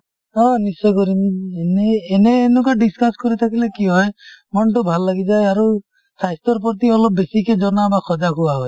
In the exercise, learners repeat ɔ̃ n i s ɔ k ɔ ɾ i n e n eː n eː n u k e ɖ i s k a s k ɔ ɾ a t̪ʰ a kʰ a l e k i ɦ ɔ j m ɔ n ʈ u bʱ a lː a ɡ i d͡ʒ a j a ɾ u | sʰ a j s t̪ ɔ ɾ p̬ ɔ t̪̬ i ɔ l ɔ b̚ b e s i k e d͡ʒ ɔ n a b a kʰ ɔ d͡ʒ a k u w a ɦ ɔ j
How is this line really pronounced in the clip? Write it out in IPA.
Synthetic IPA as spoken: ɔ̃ n i s ɔ k ɔ ɾ i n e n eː n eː n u k a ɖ i s k a s k ɔ ɾ i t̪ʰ a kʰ i l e k i ɦ ɔ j m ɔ n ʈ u bʱ a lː a ɡ i d͡ʒ a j a ɾ u | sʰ a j s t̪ ɔ ɾ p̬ ɔ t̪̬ i ɔ l ɔ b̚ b e s i k e d͡ʒ ɔ n a b a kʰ ɔ d͡ʒ a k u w a ɦ ɔ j